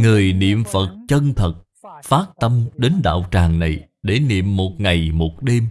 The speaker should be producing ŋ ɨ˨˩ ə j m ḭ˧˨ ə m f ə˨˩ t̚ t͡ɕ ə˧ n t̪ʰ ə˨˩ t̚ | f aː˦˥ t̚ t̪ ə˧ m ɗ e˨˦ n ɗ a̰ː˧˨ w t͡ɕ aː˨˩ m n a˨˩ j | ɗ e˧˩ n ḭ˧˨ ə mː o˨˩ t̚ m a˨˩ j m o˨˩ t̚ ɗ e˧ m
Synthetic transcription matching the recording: ŋ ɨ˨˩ ə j n ḭ˧˨ ə m f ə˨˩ t̚ t͡ɕ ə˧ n t̪ʰ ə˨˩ t̚ | f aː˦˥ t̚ t̪ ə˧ m ɗ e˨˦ n ɗ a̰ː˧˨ w t͡ɕ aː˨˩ ŋ n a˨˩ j | ɗ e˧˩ n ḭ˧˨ ə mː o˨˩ t̚ ŋ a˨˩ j m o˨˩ t̚ ɗ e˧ m